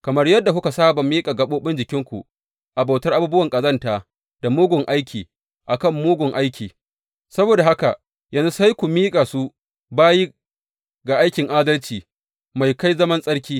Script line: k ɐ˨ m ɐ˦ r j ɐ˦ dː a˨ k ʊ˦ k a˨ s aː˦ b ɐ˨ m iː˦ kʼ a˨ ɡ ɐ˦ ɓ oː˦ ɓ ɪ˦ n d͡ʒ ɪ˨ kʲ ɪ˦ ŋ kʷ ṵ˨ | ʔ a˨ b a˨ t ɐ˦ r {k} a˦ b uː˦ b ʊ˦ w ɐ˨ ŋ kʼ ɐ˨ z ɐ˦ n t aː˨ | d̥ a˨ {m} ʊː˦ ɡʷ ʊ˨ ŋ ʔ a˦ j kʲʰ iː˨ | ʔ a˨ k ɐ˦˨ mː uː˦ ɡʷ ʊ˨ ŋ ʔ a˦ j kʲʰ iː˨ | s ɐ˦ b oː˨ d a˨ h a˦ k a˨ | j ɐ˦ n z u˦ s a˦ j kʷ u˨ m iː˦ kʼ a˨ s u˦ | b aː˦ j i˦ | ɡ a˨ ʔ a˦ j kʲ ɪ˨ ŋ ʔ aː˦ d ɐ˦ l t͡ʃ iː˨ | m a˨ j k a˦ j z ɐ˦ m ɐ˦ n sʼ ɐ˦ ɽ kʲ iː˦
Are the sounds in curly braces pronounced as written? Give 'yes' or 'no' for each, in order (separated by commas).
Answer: no, yes